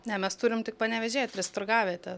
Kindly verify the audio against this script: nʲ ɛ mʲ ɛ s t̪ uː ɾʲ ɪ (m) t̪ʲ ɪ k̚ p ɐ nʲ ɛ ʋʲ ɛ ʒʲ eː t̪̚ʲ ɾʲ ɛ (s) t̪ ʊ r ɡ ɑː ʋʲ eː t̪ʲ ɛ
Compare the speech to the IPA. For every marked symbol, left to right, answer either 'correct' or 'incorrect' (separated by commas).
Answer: correct, correct